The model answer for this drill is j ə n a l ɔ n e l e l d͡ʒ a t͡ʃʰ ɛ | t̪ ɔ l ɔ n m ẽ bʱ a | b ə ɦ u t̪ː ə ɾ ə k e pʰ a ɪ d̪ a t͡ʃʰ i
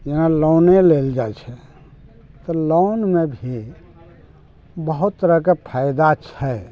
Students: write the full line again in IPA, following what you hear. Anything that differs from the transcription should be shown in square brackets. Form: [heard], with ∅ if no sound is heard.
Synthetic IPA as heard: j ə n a l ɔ n e l e l d͡ʒ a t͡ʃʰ ɛ | t̪ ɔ l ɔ n m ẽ bʱ [i] | b ə ɦ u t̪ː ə ɾ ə k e pʰ a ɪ d̪ a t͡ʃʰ [ɛ]